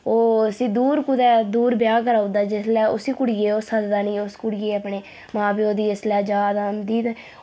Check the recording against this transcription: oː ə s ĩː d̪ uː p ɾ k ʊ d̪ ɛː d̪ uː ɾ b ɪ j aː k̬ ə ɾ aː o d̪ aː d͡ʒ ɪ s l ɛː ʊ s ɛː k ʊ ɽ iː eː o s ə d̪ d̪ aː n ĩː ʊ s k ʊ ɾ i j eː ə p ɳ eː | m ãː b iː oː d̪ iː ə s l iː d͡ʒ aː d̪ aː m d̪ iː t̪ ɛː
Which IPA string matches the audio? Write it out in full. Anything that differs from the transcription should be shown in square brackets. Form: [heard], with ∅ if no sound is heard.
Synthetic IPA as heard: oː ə s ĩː d̪ uː [∅] ɾ k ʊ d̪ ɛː d̪ uː ɾ b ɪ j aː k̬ ə ɾ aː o d̪ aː d͡ʒ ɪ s l ɛː ʊ s [iː] k ʊ ɽ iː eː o s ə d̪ d̪ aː n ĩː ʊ s k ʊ [ɽ] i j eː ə p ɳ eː | m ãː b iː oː d̪ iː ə s l [ɛː] d͡ʒ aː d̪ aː m d̪ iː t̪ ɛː

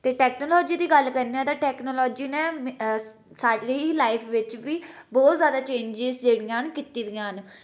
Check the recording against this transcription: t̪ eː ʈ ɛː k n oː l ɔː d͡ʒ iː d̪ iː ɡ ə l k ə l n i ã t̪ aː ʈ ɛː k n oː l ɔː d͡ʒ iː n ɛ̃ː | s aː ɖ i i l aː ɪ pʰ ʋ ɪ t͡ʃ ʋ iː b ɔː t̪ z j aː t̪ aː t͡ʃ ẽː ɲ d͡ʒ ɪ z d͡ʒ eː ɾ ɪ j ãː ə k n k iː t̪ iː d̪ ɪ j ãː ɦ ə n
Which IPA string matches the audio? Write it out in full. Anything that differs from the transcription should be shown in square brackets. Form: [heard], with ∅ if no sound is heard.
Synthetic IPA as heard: t̪ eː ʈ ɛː k n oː l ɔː d͡ʒ iː d̪ iː ɡ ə l k ə [ɾ] n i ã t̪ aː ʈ ɛː k n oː l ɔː d͡ʒ iː n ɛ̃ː | s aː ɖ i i l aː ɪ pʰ ʋ ɪ t͡ʃ ʋ iː b ɔː t̪ z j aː [d̪] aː t͡ʃ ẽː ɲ d͡ʒ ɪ z d͡ʒ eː [ɽ] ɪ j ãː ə [∅] n k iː t̪ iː d̪ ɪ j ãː ɦ ə n

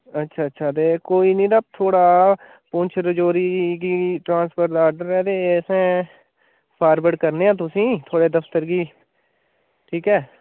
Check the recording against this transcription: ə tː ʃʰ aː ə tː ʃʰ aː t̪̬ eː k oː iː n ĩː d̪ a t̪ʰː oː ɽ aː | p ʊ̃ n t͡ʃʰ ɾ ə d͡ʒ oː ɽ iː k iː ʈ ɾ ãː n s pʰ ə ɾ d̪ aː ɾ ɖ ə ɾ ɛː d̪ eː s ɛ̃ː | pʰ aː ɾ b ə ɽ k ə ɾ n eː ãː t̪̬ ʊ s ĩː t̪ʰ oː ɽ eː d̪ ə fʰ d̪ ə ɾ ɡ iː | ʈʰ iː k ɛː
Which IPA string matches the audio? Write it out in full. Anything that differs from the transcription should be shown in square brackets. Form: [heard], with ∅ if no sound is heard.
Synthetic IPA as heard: ə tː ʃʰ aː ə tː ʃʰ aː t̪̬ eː k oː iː n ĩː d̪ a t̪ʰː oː ɽ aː | p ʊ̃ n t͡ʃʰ ɾ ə d͡ʒ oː [ɾ] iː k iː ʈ ɾ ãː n s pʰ ə ɾ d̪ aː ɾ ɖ ə ɾ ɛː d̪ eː s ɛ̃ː | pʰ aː ɾ b ə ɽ k ə ɾ n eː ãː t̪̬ ʊ s ĩː t̪ʰ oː ɽ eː d̪ ə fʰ [t̪] ə ɾ ɡ iː | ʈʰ iː k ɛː

